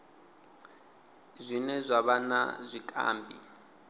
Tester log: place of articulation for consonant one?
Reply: alveolar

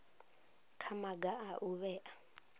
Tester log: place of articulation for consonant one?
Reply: velar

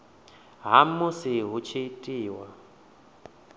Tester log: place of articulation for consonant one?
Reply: glottal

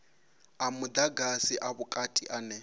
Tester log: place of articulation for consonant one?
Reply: labial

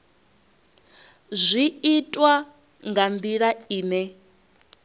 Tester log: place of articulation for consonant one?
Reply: alveolar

